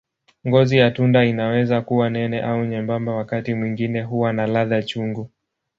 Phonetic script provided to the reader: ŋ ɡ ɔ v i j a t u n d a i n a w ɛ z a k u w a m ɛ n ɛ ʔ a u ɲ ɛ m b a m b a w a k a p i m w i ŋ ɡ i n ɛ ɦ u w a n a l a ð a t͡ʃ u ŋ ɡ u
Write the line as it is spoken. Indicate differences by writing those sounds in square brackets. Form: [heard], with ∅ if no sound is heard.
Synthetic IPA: ŋ ɡ ɔ [z] i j a t u n d a i n a w ɛ z a k u w a [n] ɛ n ɛ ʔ a u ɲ ɛ m b a m b a w a k a [t] i m w i ŋ ɡ i n ɛ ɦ u w a n a l a ð a t͡ʃ u ŋ ɡ u